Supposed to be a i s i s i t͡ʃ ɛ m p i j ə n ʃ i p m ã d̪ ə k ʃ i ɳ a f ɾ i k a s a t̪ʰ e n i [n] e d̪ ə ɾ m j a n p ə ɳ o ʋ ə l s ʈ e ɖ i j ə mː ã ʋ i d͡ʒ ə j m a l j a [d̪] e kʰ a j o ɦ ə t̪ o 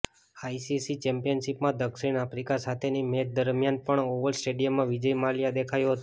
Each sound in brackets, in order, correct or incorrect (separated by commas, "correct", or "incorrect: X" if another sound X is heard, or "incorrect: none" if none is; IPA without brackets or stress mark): incorrect: m, correct